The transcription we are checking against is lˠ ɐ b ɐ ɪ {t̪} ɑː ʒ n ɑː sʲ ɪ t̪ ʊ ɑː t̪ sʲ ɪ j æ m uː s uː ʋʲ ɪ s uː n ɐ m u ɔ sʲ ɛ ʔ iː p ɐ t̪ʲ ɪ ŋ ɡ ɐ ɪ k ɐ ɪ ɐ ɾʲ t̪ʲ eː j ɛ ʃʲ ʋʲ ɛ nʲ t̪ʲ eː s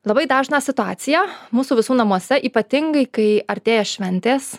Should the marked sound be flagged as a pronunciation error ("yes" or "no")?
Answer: yes